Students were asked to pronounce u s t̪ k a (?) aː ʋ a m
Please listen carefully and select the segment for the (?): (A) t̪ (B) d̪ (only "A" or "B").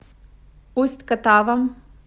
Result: A